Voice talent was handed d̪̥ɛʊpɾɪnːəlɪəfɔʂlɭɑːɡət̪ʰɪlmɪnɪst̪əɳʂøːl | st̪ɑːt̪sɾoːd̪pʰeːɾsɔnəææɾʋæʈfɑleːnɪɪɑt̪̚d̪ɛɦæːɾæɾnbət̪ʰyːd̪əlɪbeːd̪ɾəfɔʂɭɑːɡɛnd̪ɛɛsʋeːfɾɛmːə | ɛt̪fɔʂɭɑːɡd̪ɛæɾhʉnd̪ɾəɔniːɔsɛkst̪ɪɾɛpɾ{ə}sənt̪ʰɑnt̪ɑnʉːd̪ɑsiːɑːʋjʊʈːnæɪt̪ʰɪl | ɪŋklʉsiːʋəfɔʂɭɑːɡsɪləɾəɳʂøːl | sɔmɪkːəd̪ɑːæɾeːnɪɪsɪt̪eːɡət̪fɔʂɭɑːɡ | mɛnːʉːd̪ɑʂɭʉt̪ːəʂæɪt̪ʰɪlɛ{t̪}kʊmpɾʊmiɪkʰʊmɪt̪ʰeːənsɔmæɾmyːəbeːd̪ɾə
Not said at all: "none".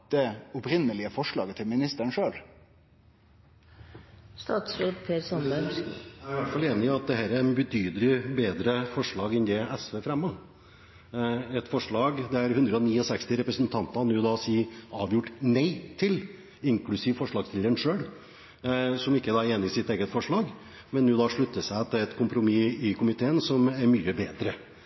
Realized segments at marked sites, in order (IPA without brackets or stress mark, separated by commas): ə, t̪